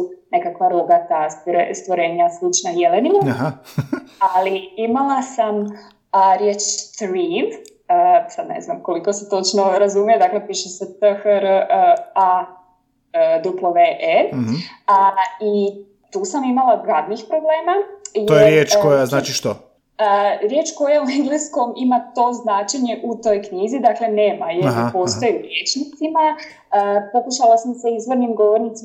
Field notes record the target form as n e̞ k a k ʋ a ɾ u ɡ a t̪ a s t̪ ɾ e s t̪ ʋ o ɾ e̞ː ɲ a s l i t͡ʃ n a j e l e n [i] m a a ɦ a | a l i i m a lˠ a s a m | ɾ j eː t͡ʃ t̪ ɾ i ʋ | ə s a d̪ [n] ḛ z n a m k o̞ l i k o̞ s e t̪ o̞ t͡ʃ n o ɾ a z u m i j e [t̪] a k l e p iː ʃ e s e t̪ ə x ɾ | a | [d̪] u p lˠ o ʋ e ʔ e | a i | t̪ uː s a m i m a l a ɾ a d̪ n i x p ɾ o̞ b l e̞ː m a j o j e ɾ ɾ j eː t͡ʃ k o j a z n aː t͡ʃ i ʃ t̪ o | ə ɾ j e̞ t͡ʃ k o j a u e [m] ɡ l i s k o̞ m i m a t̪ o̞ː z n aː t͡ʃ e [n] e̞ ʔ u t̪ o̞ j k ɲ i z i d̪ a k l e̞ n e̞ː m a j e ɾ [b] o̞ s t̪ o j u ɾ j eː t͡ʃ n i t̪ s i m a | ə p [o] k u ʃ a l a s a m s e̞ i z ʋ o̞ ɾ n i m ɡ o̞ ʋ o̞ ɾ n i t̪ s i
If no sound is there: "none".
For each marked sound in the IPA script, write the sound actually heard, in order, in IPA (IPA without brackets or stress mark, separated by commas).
i, n, d̪, d̪, ŋ, ɲ, p, o